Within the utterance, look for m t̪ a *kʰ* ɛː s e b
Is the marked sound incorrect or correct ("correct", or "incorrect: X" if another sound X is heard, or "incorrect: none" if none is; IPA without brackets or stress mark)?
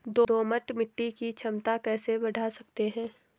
incorrect: k